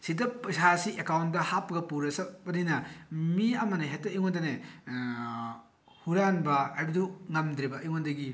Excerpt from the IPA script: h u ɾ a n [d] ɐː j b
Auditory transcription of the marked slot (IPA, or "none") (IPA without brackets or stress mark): b